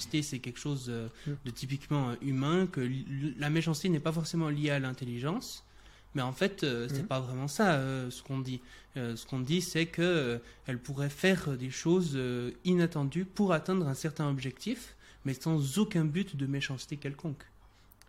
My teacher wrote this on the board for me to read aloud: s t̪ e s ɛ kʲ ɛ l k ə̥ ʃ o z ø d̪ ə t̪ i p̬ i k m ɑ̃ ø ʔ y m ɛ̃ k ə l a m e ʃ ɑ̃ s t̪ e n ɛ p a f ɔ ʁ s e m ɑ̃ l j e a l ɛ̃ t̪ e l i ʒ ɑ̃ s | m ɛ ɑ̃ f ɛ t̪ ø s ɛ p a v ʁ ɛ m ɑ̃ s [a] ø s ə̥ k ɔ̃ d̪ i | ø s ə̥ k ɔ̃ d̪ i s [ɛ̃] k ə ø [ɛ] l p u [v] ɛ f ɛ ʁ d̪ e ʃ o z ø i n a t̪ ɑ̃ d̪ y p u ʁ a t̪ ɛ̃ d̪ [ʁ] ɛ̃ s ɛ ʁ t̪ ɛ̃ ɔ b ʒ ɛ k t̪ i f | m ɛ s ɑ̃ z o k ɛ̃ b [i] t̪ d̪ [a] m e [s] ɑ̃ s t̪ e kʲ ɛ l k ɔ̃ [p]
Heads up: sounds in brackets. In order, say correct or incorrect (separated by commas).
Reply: correct, incorrect, correct, incorrect, correct, incorrect, incorrect, incorrect, incorrect